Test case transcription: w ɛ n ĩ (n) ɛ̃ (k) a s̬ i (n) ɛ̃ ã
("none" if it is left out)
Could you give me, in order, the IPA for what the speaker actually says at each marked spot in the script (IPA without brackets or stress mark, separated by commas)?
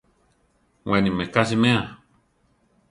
m, k, m